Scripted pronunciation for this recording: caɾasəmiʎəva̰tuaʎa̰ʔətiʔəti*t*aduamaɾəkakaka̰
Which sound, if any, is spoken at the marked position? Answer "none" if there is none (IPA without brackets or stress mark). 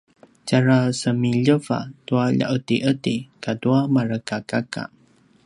k